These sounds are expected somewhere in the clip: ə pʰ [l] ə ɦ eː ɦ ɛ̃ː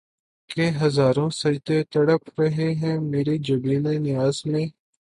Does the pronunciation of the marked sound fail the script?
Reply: yes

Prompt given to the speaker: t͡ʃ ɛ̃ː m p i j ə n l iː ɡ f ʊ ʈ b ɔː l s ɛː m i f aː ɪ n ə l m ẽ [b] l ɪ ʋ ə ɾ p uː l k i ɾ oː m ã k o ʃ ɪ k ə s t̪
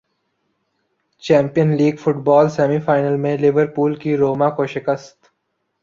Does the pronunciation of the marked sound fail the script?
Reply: yes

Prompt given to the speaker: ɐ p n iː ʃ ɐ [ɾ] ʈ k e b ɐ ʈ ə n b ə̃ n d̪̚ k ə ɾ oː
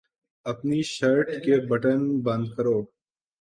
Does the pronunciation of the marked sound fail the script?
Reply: no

